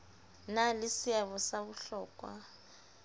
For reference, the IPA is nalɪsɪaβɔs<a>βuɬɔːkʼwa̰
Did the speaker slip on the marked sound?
no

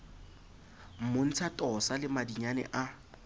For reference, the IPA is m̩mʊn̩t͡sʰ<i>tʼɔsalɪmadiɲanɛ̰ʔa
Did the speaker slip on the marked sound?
yes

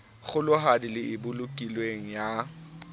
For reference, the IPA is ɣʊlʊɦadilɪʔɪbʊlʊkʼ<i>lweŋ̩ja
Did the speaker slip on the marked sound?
no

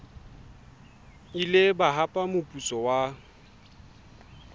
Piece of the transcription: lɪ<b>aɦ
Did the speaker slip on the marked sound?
no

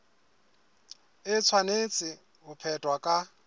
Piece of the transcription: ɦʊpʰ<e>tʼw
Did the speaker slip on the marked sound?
yes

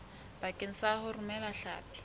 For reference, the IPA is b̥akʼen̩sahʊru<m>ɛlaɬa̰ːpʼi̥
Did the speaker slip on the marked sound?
no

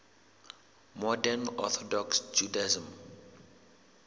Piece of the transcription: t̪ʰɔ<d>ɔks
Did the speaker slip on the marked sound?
no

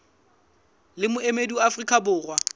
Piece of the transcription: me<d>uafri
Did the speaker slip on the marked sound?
no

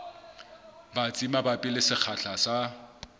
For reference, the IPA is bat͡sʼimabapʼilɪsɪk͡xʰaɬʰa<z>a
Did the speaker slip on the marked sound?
yes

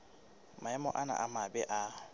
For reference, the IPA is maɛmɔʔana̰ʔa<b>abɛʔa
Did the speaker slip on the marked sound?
yes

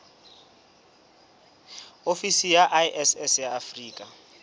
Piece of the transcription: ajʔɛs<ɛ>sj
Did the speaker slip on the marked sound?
no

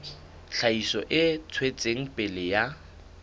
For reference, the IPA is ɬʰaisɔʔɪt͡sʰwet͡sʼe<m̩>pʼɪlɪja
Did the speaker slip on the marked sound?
yes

